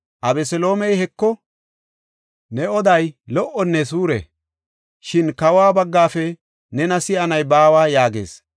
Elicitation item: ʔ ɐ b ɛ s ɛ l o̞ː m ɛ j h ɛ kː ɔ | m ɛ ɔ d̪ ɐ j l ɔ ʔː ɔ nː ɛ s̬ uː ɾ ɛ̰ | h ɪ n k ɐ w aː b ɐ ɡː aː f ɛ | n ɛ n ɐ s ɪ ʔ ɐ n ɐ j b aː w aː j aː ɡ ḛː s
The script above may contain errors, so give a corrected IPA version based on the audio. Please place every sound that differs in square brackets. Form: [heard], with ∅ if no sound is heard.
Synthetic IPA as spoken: ʔ ɐ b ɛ s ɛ l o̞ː m ɛ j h ɛ kː ɔ | [n] ɛ ɔ d̪ ɐ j l ɔ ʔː ɔ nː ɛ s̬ uː ɾ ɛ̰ | [ʃ] ɪ n k ɐ w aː b ɐ ɡː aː f ɛ | n ɛ n ɐ s ɪ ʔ ɐ n ɐ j b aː w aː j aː ɡ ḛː s

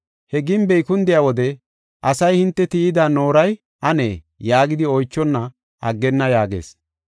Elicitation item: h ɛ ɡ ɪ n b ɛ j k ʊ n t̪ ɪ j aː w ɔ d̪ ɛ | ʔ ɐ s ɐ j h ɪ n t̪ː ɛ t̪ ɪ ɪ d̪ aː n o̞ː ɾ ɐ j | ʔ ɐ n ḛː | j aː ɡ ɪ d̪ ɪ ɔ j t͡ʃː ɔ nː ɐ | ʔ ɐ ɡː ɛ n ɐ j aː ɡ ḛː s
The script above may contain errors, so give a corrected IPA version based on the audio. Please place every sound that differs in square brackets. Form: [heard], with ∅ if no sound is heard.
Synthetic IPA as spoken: h ɛ ɡ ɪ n b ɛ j k ʊ n [d̪] ɪ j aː w ɔ d̪ ɛ | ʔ ɐ s ɐ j h ɪ n t̪ː ɛ t̪ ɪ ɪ d̪ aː n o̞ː ɾ ɐ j | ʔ ɐ n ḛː | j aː ɡ ɪ d̪ ɪ ɔ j t͡ʃː ɔ nː ɐ | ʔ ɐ ɡː ɛ [nː] ɐ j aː ɡ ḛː s

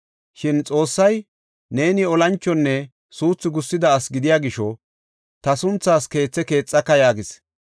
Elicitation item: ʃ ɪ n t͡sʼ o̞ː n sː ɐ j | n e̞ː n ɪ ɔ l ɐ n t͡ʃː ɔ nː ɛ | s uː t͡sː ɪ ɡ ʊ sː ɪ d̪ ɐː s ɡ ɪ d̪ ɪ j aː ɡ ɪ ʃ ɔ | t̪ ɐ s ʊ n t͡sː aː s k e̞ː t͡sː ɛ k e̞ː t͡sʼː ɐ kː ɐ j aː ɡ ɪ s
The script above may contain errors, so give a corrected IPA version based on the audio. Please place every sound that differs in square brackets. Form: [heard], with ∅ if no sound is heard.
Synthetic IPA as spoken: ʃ ɪ n t͡sʼ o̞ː [∅] sː ɐ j | n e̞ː n ɪ ɔ l ɐ n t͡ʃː ɔ nː ɛ | s uː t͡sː ɪ ɡ ʊ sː ɪ d̪ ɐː s ɡ ɪ d̪ ɪ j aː ɡ ɪ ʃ ɔ | t̪ ɐ s ʊ n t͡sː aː s k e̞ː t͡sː ɛ k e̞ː t͡sʼː ɐ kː ɐ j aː ɡ ɪ s

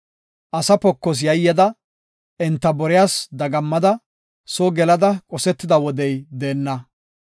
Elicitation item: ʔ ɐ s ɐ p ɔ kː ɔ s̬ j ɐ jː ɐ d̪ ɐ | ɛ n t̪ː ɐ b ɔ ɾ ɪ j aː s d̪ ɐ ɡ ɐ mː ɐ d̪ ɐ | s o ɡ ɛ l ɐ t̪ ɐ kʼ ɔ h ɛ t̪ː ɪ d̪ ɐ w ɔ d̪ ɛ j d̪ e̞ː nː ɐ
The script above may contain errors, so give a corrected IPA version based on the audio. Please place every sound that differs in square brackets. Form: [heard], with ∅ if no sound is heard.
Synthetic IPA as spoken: ʔ ɐ s ɐ p ɔ kː ɔ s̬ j ɐ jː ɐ d̪ ɐ | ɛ n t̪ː ɐ b ɔ ɾ ɪ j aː s d̪ ɐ ɡ ɐ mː ɐ d̪ ɐ | s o ɡ ɛ l ɐ [d̪] ɐ kʼ ɔ [s] ɛ t̪ː ɪ d̪ ɐ w ɔ d̪ ɛ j d̪ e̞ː nː ɐ

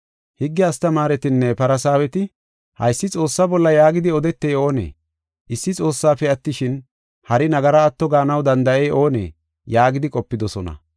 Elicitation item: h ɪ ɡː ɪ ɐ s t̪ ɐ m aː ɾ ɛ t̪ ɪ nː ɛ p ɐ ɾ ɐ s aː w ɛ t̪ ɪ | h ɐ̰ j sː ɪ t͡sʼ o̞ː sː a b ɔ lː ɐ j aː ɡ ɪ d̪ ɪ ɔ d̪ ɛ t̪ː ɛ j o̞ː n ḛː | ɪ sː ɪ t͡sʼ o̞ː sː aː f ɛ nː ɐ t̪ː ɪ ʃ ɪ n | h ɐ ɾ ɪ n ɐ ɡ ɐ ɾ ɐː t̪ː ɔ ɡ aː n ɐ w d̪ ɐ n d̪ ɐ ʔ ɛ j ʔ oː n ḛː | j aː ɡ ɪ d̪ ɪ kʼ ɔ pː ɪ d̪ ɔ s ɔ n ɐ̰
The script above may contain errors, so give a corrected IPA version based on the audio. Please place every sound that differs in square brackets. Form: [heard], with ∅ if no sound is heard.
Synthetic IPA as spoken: h ɪ ɡː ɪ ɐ s t̪ ɐ m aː ɾ ɛ t̪ ɪ nː ɛ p ɐ ɾ ɐ s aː w ɛ t̪ ɪ | h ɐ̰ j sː ɪ t͡sʼ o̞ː sː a b ɔ lː ɐ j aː ɡ ɪ d̪ ɪ ɔ d̪ ɛ t̪ː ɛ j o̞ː n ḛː | ɪ sː ɪ t͡sʼ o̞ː sː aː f ɛ [∅] ɐ t̪ː ɪ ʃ ɪ n | h ɐ ɾ ɪ n ɐ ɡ ɐ ɾ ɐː t̪ː ɔ ɡ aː n ɐ w d̪ ɐ n d̪ ɐ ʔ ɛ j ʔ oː n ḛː | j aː ɡ ɪ d̪ ɪ kʼ ɔ pː ɪ d̪ ɔ s ɔ n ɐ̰

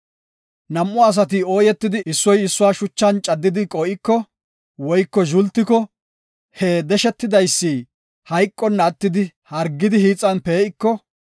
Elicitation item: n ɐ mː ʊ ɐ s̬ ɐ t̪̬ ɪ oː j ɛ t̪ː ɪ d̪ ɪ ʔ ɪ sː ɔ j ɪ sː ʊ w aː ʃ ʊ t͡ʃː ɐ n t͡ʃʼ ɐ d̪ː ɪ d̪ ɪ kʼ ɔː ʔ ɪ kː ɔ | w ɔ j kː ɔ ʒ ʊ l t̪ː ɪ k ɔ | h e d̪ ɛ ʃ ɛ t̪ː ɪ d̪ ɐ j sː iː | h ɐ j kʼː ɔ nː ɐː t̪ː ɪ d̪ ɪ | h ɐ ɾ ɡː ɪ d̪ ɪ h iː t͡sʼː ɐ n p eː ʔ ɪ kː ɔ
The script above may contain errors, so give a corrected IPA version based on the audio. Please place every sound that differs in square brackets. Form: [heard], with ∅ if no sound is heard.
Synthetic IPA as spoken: n ɐ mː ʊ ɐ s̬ ɐ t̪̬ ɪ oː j ɛ t̪ː ɪ d̪ ɪ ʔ ɪ sː ɔ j ɪ sː ʊ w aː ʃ ʊ t͡ʃː ɐ n t͡ʃʼ ɐ d̪ː ɪ d̪ ɪ kʼ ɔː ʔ ɪ kː ɔ | w ɔ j kː ɔ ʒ ʊ l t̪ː ɪ k ɔ | h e d̪ ɛ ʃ ɛ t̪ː ɪ d̪ ɐ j sː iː | h ɐ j kʼː ɔ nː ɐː t̪ː ɪ d̪ ɪ | h ɐ ɾ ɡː ɪ d̪ ɪ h iː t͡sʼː ɐ n p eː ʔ ɪ kː ɔ

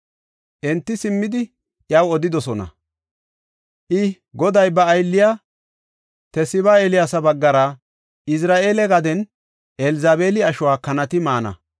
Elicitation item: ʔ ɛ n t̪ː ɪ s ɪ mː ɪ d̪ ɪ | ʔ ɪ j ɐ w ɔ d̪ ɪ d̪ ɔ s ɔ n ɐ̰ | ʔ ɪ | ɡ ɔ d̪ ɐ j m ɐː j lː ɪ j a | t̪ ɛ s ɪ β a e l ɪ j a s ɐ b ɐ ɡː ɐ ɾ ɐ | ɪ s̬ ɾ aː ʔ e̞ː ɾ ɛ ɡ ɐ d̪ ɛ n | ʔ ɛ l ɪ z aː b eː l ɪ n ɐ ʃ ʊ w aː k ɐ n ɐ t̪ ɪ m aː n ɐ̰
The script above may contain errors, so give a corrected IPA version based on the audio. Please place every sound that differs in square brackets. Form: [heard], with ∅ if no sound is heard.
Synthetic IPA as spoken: ʔ ɛ n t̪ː ɪ s ɪ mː ɪ d̪ ɪ | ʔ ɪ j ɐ w ɔ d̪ ɪ d̪ ɔ s ɔ n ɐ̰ | ʔ ɪ | ɡ ɔ d̪ ɐ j [b] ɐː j lː ɪ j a | t̪ ɛ s ɪ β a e l ɪ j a s ɐ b ɐ ɡː ɐ ɾ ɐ | ɪ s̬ ɾ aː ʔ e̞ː [l] ɛ ɡ ɐ d̪ ɛ n | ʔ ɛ l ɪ z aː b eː l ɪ [∅] ɐ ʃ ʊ w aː k ɐ n ɐ t̪ ɪ m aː n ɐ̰

